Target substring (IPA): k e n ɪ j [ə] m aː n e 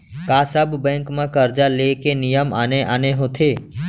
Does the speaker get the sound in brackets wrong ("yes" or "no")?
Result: no